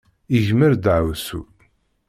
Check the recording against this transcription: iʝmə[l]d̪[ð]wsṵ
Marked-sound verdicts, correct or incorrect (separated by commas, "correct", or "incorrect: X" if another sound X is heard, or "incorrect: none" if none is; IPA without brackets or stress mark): incorrect: ɾ, incorrect: ʕ